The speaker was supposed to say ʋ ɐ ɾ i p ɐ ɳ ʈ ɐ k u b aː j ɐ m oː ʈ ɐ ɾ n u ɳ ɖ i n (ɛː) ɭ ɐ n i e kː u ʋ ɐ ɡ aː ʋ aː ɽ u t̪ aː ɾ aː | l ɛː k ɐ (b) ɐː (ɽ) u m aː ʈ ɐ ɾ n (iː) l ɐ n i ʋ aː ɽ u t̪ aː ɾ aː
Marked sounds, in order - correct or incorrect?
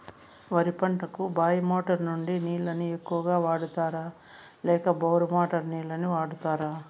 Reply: incorrect, correct, incorrect, correct

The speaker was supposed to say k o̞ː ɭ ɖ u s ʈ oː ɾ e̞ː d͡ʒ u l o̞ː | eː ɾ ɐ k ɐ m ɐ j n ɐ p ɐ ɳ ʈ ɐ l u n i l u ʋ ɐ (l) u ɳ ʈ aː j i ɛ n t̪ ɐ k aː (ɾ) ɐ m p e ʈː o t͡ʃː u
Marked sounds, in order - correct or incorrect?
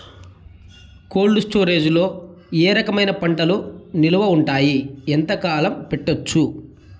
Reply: incorrect, incorrect

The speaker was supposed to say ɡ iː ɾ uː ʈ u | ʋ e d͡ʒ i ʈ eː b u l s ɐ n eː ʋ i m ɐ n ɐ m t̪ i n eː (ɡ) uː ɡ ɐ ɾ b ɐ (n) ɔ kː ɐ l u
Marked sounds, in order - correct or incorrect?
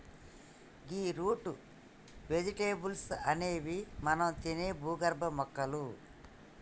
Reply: incorrect, incorrect

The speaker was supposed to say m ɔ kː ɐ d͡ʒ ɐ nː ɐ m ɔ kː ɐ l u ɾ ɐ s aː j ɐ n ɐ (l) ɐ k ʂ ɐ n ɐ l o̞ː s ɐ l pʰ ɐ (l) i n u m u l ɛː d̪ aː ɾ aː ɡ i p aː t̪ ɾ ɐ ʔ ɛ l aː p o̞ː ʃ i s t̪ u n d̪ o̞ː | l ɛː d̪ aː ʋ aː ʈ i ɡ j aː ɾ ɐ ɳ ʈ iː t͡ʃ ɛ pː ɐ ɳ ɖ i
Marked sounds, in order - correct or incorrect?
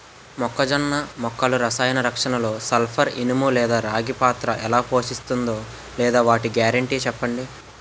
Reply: incorrect, incorrect

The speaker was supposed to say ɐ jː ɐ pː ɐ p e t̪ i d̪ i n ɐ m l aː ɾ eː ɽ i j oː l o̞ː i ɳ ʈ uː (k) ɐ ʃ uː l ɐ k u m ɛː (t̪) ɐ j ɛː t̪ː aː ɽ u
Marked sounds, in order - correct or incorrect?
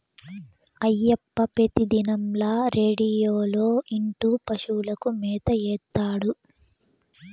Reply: incorrect, correct

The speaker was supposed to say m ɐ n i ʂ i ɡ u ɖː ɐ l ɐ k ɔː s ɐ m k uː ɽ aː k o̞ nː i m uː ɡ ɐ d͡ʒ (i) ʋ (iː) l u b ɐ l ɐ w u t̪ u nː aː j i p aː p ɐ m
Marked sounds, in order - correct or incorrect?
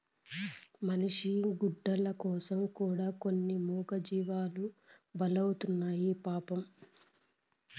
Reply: incorrect, incorrect

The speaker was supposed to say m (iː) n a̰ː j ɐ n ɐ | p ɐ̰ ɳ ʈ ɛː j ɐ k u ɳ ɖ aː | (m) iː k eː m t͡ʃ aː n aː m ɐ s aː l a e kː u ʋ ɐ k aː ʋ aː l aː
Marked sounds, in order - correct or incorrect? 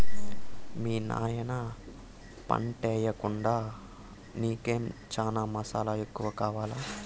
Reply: correct, incorrect

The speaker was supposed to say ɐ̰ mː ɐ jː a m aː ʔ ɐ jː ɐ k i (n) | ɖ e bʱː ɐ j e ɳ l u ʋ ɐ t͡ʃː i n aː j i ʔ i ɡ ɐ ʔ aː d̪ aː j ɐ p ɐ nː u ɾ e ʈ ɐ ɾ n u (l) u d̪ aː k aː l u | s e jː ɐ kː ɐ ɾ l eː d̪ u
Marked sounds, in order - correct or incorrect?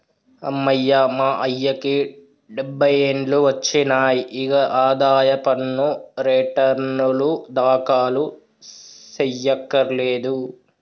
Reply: incorrect, correct

